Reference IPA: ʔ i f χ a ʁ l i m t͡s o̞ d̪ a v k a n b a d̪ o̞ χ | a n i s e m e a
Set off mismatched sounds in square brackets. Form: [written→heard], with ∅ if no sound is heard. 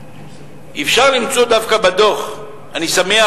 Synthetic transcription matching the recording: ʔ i f [χ→ʃ] a ʁ l i m t͡s o̞ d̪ a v k a [n→∅] b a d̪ o̞ χ | a n i s [e→a] m e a